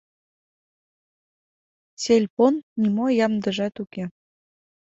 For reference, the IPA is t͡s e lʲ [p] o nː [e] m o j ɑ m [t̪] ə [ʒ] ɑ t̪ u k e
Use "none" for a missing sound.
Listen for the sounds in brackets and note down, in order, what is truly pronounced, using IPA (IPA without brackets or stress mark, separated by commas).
p, i, d̪, ʒ